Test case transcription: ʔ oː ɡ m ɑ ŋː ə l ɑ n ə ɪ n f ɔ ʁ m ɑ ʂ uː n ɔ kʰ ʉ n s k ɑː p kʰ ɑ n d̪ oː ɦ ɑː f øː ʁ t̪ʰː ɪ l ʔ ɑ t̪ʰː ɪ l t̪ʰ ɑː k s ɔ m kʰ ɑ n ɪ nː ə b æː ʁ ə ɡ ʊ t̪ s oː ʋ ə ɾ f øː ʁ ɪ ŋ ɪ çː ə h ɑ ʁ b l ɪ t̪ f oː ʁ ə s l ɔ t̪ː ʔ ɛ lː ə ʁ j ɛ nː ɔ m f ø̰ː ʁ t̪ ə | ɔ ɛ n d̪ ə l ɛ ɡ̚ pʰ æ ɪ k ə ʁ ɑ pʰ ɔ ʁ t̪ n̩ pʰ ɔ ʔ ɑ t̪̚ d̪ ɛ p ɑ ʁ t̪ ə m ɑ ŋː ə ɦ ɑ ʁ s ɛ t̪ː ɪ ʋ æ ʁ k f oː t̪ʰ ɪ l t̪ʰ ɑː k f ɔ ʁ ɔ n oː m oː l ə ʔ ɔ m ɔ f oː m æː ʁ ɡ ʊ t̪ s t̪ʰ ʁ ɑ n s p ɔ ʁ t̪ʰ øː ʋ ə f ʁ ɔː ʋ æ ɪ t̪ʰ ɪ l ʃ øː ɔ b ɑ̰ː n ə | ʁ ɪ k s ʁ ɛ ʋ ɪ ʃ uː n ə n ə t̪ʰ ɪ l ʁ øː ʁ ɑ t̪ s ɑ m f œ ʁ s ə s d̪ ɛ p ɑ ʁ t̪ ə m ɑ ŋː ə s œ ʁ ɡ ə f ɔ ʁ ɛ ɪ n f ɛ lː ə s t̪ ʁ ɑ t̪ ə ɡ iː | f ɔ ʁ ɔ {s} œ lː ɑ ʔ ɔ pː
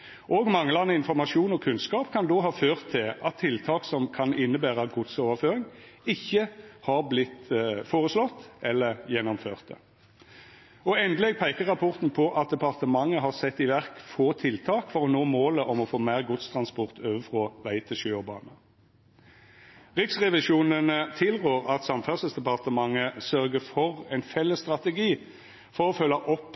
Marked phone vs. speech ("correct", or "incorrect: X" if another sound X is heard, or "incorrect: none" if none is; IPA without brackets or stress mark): incorrect: f